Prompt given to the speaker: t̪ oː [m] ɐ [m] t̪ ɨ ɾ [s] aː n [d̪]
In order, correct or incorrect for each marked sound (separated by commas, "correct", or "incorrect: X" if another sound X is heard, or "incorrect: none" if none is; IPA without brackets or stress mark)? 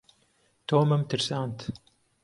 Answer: correct, correct, correct, incorrect: t̪